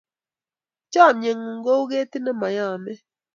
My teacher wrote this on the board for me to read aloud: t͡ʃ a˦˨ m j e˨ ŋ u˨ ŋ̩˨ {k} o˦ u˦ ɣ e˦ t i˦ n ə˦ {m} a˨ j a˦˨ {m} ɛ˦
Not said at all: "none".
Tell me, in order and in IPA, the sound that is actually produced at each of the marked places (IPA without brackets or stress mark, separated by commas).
ɡ, m, m